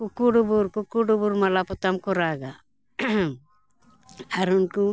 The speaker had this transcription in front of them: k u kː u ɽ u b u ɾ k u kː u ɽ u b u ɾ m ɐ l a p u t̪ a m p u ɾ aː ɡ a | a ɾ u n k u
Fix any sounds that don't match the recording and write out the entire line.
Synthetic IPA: k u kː u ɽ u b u ɾ k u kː u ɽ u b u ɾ m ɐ l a p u t̪ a m k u ɾ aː ɡ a | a ɾ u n k u